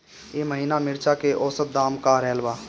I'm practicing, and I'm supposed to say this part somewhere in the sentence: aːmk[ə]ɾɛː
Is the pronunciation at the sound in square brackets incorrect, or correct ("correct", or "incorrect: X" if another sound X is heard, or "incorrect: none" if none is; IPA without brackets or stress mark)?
incorrect: a